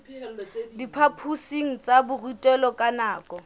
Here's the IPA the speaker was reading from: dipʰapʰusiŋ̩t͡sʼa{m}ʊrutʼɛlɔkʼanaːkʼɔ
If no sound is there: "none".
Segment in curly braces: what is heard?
b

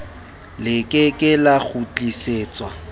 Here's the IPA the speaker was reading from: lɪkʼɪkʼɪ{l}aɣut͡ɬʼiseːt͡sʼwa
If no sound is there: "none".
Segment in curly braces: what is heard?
l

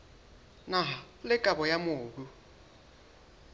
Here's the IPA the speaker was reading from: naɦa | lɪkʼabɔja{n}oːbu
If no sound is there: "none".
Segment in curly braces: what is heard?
m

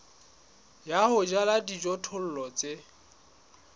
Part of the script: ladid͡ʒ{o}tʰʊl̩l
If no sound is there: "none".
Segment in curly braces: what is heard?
ɔ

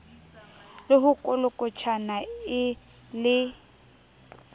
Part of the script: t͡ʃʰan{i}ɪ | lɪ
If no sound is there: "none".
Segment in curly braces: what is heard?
a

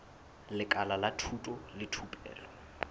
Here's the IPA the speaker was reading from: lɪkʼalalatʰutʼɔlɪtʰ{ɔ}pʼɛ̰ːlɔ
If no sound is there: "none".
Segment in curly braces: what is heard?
u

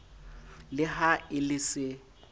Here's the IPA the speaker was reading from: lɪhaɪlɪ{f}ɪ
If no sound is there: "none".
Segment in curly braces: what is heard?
s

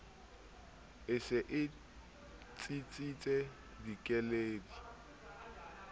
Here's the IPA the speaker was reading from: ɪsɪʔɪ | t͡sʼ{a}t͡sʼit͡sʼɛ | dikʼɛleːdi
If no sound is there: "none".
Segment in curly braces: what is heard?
i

